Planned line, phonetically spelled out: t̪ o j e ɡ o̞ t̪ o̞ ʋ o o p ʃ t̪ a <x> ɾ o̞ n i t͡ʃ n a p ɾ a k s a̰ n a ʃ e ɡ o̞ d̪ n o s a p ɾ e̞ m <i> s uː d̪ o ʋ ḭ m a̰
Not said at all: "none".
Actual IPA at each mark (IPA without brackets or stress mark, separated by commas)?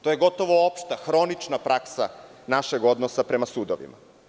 x, a